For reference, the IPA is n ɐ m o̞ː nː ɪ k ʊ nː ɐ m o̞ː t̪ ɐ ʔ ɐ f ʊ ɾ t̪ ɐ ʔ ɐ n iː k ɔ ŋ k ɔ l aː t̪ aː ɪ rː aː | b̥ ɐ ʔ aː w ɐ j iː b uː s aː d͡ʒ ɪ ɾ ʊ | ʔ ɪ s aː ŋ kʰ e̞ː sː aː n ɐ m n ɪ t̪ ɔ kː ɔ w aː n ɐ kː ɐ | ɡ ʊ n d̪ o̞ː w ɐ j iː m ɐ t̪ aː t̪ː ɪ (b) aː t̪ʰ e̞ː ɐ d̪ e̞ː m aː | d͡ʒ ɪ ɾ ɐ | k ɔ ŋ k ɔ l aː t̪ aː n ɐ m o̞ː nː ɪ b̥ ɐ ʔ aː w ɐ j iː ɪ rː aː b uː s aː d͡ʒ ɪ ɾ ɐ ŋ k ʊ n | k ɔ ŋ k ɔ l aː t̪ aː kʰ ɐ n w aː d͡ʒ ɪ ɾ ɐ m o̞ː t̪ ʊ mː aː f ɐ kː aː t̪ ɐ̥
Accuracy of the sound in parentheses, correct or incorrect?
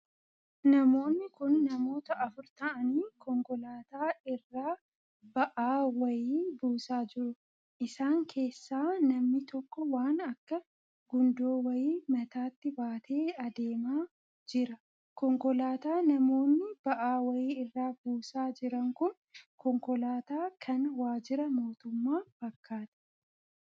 correct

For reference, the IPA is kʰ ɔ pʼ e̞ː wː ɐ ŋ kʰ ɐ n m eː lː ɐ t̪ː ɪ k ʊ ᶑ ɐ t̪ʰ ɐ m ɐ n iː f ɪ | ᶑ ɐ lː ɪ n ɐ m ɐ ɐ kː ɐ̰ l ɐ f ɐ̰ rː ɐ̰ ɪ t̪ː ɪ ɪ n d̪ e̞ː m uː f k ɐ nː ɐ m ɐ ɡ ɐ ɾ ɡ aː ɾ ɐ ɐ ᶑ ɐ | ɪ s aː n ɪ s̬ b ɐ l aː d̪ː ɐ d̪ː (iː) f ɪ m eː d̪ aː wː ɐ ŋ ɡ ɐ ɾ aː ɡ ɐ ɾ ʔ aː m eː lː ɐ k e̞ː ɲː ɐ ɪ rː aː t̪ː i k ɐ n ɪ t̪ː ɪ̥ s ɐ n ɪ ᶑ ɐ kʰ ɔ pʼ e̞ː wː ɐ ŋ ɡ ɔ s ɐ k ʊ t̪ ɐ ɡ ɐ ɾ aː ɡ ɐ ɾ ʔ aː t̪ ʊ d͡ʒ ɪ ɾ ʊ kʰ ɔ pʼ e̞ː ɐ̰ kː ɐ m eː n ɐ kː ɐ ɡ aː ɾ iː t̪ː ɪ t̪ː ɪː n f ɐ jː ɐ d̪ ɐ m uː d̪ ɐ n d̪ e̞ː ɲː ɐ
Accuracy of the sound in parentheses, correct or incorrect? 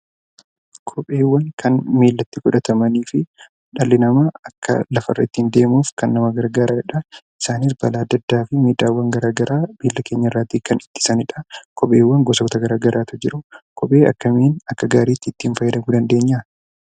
incorrect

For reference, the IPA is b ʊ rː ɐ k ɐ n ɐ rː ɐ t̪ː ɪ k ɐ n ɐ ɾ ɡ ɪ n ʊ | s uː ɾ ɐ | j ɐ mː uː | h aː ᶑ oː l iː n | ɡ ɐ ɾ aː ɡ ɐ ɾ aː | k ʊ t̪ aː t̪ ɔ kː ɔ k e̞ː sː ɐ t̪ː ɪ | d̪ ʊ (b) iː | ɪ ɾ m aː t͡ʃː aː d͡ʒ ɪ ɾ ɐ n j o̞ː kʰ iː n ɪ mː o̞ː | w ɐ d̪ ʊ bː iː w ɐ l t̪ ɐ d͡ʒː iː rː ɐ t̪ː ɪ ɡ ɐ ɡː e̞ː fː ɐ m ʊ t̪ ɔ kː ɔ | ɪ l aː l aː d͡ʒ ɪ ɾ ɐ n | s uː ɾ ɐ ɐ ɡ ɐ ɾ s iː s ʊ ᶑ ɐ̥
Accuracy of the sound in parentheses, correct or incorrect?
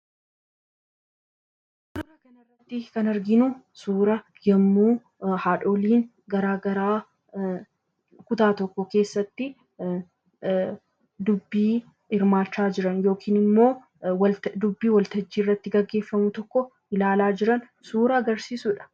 incorrect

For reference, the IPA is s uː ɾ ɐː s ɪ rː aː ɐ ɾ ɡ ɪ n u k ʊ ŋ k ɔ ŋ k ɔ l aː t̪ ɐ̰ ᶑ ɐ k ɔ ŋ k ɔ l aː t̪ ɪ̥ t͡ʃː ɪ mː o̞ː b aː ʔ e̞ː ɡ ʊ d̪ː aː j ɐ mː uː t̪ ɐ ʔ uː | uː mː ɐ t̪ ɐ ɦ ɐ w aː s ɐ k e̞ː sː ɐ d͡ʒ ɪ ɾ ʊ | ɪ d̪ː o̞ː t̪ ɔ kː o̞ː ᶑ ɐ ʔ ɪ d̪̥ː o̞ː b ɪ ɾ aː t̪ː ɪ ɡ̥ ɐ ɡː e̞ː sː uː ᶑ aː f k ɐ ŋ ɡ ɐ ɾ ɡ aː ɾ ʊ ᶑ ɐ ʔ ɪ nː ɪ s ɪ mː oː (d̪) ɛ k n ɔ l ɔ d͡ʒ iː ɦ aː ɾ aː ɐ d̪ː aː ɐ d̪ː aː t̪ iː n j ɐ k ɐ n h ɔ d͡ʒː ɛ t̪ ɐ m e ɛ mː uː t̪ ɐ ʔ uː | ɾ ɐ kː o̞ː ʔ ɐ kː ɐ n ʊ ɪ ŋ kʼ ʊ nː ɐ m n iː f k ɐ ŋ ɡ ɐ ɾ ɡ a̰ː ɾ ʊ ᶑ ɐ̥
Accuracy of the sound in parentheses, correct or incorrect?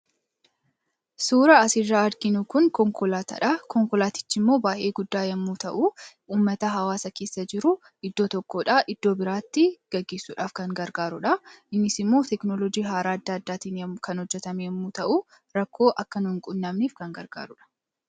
incorrect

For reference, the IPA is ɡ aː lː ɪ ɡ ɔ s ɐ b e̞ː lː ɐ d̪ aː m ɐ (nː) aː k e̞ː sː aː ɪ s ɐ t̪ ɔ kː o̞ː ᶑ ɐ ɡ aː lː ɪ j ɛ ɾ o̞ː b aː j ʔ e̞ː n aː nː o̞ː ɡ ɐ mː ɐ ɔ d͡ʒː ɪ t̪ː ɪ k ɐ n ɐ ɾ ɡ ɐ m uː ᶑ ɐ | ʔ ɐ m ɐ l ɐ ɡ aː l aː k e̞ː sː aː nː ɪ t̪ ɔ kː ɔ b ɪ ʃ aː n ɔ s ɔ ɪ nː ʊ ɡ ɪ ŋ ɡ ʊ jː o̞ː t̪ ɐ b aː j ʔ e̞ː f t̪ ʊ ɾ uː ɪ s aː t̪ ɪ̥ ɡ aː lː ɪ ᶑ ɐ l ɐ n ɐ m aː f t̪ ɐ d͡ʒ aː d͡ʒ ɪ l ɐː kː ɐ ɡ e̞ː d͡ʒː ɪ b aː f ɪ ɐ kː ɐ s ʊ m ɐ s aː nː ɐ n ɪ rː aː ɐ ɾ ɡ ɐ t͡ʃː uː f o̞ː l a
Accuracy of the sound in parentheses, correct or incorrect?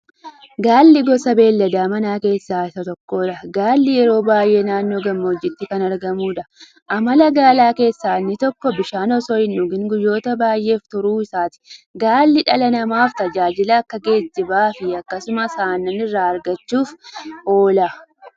incorrect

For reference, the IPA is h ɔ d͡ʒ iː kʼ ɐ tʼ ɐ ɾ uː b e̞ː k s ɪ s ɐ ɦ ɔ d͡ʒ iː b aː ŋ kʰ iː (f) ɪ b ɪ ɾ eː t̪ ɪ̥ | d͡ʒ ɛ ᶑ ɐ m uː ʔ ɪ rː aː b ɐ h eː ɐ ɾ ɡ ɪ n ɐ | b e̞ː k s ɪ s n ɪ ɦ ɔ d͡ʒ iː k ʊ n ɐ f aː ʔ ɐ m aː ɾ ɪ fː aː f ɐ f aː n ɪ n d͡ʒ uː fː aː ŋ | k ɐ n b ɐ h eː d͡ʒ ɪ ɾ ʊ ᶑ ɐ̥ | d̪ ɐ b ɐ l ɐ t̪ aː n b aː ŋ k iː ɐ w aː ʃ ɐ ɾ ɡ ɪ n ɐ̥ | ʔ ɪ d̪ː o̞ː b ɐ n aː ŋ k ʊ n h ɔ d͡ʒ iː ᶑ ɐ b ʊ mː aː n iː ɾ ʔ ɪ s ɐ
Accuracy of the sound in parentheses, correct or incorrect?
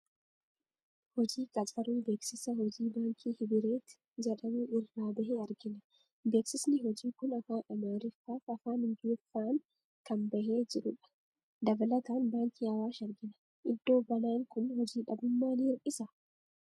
incorrect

